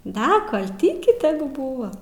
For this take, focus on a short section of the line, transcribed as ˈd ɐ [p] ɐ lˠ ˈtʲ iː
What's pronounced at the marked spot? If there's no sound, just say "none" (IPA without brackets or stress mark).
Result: k